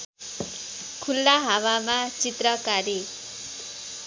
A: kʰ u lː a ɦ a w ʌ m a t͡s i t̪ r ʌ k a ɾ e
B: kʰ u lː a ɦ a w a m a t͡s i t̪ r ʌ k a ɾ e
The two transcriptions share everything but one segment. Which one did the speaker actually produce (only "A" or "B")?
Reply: B